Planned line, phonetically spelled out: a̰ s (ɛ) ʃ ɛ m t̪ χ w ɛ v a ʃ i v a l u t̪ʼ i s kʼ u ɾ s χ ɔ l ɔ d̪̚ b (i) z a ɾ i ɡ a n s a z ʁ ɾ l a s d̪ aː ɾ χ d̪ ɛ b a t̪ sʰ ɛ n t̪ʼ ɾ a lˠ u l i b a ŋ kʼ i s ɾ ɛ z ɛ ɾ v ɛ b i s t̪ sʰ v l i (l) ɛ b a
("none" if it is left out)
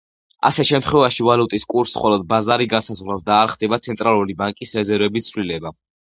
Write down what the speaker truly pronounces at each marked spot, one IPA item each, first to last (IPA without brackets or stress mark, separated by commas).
ɛ, a, l